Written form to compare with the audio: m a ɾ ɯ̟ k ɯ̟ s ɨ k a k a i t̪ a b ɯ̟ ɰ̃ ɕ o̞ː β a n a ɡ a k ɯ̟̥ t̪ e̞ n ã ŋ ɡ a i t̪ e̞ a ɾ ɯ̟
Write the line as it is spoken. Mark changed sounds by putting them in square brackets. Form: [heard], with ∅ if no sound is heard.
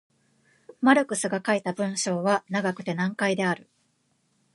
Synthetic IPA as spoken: m a ɾ ɯ̟ k ɯ̟ s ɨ [ɡ] a k a i t̪ a b [ɯ̟̃] ɰ̃ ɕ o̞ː β a n a ɡ a k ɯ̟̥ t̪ e̞ n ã ŋ [k] a i [d̪] e̞ a ɾ ɯ̟